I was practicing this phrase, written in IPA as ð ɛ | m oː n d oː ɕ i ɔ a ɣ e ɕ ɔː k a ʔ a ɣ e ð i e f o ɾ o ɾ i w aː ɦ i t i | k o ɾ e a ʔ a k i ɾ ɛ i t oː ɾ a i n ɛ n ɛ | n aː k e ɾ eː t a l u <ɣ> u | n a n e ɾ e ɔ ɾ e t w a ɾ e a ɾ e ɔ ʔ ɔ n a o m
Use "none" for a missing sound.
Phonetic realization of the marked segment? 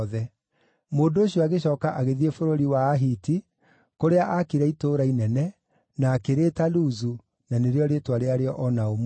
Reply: z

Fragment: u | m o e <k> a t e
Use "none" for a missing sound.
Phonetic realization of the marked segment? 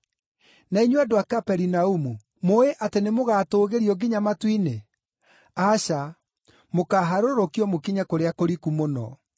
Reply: ʔ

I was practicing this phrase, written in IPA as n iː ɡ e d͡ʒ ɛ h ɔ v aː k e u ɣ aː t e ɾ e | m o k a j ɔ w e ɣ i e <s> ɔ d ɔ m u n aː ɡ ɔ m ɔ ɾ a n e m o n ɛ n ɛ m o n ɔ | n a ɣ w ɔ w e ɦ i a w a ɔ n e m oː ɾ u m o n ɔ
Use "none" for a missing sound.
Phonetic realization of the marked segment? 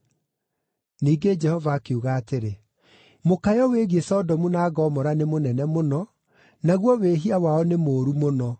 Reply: s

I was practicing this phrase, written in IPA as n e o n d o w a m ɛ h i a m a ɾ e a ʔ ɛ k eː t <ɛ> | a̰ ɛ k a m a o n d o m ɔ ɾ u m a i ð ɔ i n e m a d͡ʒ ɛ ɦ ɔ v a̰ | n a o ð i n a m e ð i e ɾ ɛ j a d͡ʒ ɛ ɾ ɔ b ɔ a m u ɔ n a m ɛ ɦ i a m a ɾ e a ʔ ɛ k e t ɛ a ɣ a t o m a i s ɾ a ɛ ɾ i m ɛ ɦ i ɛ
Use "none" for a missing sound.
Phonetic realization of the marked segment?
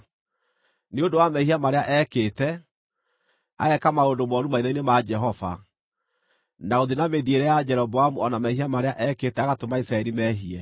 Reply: ɛ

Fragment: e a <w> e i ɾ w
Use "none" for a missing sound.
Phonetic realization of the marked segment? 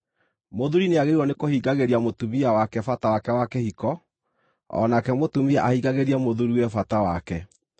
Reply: ɣ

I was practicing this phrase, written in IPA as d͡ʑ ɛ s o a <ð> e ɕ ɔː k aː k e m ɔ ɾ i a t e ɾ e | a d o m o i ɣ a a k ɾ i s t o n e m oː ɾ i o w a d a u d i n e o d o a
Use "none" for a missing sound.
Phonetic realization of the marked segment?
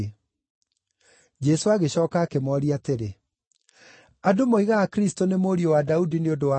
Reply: ɣ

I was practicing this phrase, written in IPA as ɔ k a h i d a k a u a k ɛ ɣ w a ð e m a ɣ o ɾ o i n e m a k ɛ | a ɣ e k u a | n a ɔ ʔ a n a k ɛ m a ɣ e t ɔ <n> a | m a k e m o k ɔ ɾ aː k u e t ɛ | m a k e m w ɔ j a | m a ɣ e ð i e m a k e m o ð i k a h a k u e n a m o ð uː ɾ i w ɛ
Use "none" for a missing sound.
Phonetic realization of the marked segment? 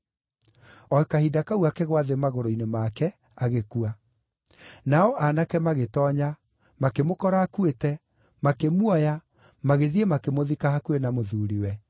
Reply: ɲ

